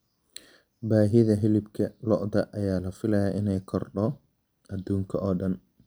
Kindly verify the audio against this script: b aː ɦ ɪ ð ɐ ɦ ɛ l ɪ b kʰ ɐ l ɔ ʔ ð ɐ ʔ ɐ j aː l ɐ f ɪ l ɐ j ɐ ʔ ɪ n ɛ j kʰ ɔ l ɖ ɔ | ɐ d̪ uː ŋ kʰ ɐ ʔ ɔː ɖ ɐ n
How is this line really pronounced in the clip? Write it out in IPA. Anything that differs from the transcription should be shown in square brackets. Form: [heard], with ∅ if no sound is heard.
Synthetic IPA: b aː ɦ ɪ ð ɐ ɦ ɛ l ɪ b kʰ ɐ l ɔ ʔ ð ɐ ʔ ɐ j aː l ɐ f ɪ l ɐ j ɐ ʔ ɪ n ɛ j kʰ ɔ [r] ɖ ɔ | ɐ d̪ uː ŋ kʰ ɐ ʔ ɔː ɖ ɐ n